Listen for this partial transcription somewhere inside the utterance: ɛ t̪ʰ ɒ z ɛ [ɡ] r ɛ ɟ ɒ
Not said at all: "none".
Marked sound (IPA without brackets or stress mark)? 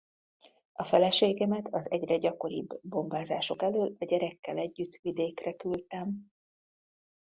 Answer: ɟ